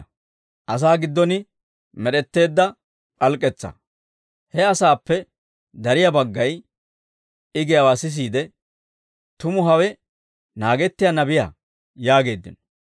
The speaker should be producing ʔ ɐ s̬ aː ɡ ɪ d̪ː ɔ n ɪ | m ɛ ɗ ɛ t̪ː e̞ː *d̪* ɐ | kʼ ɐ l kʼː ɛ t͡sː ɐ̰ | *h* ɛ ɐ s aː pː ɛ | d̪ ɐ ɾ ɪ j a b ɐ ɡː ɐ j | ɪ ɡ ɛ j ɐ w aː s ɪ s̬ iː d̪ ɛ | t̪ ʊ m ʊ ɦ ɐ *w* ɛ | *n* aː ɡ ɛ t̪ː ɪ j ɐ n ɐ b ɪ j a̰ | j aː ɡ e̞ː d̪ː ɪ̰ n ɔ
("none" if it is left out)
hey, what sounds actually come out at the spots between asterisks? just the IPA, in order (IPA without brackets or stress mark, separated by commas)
d̪ː, h, w, n